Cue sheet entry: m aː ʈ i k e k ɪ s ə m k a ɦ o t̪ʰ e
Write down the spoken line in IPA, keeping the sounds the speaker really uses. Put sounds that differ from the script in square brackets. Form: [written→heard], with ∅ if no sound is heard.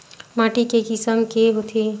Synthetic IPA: m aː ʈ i k e k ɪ s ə m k [a→e] ɦ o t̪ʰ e